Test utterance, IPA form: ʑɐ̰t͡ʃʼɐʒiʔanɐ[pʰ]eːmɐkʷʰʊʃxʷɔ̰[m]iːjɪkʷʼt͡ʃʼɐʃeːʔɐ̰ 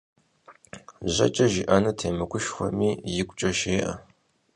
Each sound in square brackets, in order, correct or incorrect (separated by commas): incorrect, correct